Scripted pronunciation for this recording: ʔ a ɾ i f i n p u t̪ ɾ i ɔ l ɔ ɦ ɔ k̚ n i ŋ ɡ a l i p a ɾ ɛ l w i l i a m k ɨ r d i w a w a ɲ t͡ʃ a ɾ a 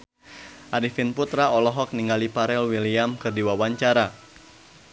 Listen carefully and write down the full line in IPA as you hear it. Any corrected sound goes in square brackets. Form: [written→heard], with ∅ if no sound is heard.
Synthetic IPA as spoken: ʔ a ɾ i f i n p u t̪ ɾ [i→a] ɔ l ɔ ɦ ɔ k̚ n i ŋ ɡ a l i p a ɾ ɛ l w i l i a m k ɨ r d i w a w a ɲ t͡ʃ a ɾ a